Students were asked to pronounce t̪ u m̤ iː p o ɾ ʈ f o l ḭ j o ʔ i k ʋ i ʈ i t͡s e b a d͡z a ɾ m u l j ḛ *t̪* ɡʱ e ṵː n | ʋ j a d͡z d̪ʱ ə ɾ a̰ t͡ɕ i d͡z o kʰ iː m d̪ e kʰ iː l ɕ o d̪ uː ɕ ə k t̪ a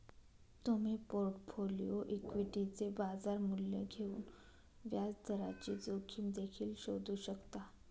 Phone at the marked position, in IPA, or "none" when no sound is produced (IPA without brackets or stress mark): none